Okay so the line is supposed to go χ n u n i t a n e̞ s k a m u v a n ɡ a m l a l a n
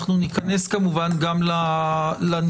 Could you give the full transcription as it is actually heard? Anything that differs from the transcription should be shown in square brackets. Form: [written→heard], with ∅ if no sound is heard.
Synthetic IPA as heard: χ n u n i [t→k] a n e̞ s k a m u v a n ɡ a m l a l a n